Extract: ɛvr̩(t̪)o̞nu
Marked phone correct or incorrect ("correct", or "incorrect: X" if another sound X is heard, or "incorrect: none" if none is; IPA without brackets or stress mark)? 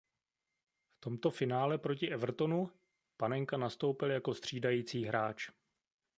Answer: correct